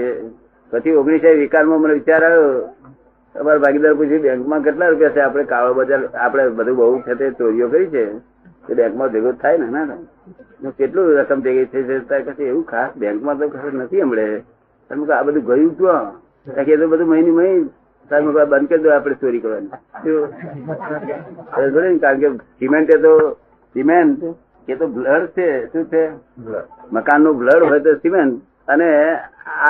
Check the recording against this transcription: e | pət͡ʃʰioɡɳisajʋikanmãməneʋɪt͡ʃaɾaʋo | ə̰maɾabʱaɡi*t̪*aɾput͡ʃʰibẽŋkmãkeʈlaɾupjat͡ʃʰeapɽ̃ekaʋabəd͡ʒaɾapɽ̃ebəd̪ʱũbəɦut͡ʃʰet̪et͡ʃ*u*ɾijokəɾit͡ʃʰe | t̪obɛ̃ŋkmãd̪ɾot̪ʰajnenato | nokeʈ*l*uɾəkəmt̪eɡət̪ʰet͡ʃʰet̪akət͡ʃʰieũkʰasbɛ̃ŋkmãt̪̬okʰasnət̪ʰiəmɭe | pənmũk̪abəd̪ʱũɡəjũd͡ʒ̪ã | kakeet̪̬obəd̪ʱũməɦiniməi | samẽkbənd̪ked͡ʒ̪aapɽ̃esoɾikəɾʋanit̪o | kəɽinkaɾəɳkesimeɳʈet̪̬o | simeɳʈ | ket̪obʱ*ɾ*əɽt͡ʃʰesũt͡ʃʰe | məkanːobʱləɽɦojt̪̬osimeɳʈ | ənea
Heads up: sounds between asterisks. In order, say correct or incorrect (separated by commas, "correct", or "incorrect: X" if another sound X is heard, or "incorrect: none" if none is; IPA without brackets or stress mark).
incorrect: d̪, incorrect: o, correct, incorrect: l